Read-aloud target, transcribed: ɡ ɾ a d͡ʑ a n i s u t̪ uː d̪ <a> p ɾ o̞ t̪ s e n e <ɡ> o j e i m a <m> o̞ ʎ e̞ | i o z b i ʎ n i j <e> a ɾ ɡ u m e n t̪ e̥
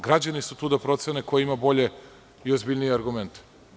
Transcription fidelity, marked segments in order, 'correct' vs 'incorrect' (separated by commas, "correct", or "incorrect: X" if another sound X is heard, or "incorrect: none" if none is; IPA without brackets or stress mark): correct, incorrect: k, incorrect: b, correct